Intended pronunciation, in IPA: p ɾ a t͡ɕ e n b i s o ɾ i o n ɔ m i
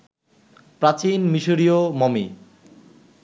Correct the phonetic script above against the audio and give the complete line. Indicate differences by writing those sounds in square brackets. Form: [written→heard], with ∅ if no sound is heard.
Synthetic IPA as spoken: p ɾ a t͡ɕ [e→i] n [b→m] i [s→ʃ] o ɾ i o [n→m] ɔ m i